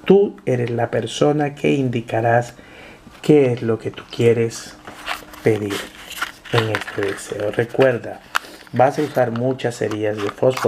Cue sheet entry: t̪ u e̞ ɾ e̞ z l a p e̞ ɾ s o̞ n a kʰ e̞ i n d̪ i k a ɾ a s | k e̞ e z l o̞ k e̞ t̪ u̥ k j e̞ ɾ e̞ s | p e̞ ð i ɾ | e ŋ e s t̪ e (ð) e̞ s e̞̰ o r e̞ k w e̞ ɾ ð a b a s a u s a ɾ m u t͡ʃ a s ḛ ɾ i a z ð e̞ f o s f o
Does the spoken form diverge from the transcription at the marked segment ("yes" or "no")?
no